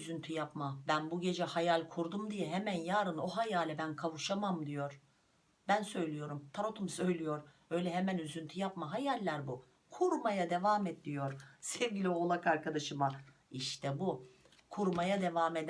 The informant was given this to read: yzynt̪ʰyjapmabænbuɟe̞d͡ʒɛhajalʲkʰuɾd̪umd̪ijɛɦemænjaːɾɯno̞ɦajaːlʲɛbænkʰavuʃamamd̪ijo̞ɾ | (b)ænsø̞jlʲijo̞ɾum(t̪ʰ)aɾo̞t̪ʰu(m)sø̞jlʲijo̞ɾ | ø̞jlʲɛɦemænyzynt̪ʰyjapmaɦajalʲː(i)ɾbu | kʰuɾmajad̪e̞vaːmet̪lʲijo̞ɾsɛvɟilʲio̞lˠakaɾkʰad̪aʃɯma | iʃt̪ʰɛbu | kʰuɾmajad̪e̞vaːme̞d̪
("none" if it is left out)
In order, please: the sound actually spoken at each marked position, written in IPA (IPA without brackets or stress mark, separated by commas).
b, t̪ʰ, m, æ